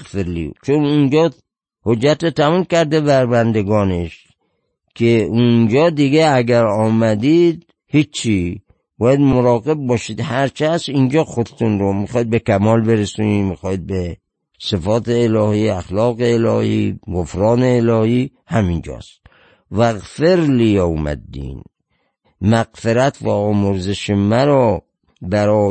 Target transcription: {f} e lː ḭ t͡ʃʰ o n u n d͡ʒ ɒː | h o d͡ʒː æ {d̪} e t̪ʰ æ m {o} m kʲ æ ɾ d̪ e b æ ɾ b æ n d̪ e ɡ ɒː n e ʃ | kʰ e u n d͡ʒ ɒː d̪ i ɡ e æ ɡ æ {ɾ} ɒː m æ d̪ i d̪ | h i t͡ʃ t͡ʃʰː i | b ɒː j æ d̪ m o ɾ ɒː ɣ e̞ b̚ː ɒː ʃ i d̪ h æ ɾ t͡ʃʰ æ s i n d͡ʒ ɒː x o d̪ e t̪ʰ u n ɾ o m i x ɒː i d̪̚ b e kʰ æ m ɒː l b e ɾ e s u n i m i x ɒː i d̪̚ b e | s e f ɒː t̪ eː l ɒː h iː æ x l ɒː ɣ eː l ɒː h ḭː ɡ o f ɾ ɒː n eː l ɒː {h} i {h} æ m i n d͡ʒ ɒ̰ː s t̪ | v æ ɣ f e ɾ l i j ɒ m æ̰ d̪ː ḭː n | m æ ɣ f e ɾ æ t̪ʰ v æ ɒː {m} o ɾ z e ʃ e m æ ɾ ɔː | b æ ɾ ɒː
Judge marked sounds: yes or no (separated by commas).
yes, no, no, yes, yes, yes, yes